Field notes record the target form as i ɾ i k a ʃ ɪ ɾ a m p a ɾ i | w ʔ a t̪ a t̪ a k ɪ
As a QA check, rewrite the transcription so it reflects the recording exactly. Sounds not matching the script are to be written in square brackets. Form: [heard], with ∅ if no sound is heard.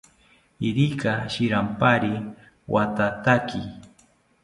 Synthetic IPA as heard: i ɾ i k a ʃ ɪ ɾ a m p a ɾ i | w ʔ a t̪ a t̪ a k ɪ